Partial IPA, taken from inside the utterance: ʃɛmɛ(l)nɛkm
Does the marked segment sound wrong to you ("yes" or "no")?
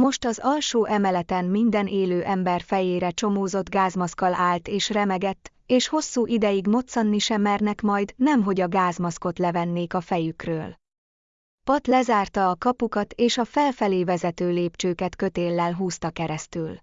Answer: yes